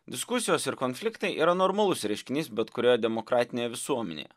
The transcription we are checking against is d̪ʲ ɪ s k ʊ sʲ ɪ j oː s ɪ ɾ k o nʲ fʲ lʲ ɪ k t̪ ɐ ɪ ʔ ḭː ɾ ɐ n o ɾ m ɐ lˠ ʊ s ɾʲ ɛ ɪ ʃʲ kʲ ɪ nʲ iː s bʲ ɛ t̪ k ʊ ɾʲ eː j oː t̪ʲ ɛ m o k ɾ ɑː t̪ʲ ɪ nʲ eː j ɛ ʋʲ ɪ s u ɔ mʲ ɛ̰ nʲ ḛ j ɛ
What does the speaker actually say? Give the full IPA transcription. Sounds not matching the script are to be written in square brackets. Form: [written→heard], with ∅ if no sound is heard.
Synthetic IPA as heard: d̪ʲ ɪ s k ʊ sʲ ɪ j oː s ɪ ɾ k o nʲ fʲ lʲ ɪ k t̪ ɐ ɪ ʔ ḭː ɾ ɐ n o ɾ m ɐ lˠ ʊ s ɾʲ ɛ ɪ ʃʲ kʲ ɪ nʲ iː s bʲ ɛ t̪ k ʊ ɾʲ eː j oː [t̪ʲ→d̪ʲ] ɛ m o k ɾ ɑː t̪ʲ ɪ nʲ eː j ɛ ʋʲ ɪ s u ɔ mʲ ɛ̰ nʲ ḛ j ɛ